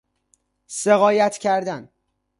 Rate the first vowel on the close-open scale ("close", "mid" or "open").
mid